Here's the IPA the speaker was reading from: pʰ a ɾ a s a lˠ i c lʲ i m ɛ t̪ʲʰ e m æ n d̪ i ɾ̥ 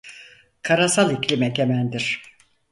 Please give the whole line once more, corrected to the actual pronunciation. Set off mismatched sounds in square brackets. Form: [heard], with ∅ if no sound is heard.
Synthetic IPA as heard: [kʰ] a ɾ a s a lˠ i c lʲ i m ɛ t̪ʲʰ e m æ n d̪ i ɾ̥